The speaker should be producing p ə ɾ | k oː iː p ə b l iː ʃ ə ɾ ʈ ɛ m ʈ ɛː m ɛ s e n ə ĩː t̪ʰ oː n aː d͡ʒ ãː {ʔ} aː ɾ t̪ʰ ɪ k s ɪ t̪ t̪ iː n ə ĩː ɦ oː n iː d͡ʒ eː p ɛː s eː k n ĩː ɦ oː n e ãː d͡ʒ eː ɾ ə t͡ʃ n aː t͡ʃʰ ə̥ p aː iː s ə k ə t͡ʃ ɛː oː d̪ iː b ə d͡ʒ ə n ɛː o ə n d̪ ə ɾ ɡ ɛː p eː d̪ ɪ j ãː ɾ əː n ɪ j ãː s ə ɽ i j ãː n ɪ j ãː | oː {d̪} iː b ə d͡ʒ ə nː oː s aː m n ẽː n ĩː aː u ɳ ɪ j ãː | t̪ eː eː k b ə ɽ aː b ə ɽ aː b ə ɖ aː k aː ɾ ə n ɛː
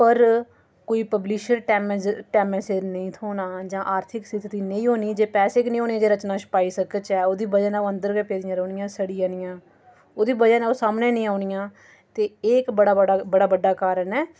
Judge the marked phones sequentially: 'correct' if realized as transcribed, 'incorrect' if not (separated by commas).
correct, correct